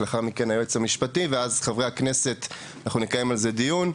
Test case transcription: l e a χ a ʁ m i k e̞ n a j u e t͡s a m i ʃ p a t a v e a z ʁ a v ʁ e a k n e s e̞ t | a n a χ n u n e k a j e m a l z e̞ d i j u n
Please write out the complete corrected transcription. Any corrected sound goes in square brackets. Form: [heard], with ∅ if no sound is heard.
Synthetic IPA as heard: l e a χ a ʁ m i k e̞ n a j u e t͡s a m i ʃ p a t [i] v e a z [χ] a v ʁ e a k n e s e̞ t | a n a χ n u n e k a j e m a l z e̞ d i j u n